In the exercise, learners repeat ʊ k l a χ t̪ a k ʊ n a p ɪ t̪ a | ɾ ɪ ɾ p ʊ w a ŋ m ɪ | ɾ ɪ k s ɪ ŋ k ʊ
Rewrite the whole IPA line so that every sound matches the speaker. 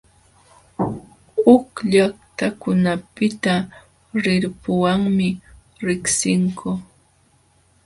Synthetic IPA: ʊ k ʎ a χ t̪ a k ʊ n a p ɪ t̪ a | ɾ ɪ ɾ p ʊ w a ŋ m ɪ | ɾ ɪ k s ɪ ŋ k ʊ